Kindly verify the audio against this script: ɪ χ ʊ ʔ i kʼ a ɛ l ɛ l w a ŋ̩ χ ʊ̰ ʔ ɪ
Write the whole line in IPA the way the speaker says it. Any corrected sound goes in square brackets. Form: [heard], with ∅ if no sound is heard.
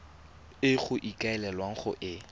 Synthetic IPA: ɪ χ ʊ ʔ i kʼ a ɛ l ɛ l w a ŋ̩ χ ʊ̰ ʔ ɪ